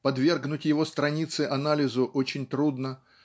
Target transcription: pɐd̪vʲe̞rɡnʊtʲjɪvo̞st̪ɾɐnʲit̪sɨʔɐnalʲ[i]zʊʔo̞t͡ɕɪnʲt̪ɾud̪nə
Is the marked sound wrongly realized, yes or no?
yes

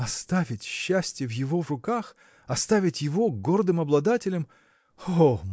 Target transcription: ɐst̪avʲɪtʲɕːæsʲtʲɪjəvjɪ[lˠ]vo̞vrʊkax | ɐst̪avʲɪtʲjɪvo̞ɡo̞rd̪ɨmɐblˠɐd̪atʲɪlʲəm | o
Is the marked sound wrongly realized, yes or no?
yes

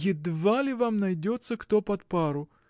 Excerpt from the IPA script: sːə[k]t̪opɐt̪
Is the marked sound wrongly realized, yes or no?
no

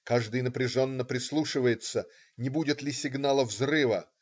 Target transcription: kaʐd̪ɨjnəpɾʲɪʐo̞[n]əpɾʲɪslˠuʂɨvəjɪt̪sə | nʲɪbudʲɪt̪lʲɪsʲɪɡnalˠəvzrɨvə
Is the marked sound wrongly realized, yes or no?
yes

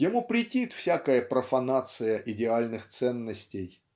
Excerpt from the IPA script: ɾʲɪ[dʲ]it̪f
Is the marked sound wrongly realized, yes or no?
yes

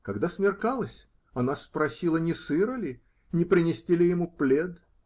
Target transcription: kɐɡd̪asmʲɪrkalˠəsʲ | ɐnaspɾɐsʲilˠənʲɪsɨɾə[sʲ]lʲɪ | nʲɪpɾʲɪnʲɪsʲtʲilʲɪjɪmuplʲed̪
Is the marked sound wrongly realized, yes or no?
yes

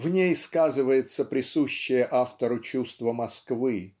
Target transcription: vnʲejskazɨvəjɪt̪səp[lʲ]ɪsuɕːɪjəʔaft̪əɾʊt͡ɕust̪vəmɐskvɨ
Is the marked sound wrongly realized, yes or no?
yes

